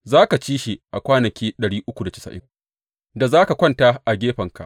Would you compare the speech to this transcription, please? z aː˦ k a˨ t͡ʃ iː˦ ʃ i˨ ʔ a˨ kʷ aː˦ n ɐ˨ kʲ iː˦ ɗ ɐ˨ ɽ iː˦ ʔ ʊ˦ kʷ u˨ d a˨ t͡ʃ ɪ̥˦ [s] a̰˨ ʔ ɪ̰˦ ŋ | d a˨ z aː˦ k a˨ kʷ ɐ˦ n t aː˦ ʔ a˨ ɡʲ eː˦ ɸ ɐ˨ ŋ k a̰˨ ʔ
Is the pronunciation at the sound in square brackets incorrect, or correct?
correct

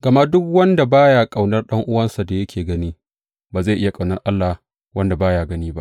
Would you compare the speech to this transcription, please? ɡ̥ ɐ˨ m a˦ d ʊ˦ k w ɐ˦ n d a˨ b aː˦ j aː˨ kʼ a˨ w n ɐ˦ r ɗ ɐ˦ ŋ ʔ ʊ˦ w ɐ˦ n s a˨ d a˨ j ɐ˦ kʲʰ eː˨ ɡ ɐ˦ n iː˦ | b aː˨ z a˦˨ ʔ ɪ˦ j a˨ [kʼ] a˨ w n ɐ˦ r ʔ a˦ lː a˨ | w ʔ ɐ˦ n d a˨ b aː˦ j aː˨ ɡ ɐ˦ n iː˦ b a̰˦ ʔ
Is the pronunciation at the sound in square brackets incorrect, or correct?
correct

